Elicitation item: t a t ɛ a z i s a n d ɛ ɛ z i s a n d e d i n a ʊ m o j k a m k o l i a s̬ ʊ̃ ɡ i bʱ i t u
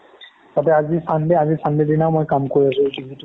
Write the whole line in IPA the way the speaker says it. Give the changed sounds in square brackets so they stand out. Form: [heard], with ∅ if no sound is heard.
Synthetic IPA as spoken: t a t ɛ a z i s a n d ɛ [a] z i s a n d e d i n a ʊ m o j k a m k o [ɹ] i a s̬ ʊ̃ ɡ i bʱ i t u